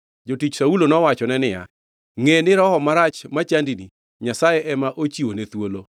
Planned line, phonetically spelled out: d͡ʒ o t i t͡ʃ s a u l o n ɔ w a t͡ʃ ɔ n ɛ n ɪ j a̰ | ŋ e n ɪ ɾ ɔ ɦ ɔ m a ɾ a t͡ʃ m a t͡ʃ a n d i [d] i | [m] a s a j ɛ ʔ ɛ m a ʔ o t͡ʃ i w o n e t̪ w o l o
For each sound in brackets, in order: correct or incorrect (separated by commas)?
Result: incorrect, incorrect